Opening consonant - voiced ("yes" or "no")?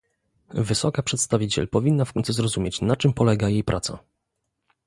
yes